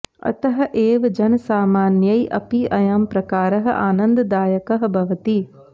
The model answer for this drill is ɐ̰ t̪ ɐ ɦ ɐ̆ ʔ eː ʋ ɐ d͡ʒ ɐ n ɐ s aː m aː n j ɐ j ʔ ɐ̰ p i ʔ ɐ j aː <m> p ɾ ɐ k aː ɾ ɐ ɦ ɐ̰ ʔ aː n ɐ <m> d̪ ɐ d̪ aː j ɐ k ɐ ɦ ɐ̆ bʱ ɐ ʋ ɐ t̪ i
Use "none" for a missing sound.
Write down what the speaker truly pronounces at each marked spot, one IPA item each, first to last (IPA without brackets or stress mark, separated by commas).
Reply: m, n